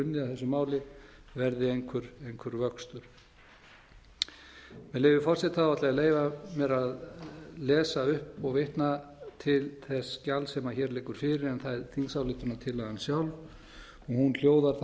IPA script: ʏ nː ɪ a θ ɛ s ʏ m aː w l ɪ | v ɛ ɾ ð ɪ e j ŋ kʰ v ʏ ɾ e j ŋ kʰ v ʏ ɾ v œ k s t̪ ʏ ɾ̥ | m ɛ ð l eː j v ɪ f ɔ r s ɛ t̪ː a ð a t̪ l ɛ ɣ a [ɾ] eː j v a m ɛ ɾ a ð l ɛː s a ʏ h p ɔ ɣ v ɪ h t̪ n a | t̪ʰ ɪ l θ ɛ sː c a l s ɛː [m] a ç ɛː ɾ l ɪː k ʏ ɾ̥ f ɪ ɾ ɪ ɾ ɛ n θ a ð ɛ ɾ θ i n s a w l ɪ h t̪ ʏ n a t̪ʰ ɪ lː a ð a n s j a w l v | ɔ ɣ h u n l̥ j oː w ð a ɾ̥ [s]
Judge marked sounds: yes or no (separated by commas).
no, yes, no